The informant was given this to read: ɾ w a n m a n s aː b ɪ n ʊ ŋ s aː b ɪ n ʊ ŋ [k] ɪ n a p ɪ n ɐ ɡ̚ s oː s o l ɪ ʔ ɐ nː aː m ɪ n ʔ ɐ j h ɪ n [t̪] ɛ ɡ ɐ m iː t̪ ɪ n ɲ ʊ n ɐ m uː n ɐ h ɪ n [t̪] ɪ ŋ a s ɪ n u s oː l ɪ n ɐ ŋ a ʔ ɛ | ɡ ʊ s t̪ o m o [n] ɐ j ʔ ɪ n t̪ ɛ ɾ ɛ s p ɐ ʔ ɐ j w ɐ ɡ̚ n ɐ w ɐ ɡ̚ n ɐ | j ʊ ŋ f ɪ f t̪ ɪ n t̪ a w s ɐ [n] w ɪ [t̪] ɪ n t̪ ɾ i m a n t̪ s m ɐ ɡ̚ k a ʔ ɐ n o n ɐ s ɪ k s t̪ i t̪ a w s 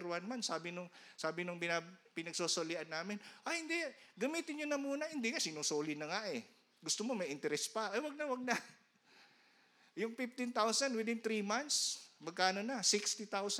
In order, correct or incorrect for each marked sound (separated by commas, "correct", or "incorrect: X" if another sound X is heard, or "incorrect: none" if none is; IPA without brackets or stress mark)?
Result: incorrect: p, incorrect: d̪, incorrect: d̪, incorrect: m, correct, incorrect: d̪